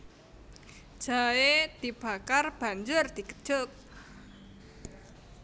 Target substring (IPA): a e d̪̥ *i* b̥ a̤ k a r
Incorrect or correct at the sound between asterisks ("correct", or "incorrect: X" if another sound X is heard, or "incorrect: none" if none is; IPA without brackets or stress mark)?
correct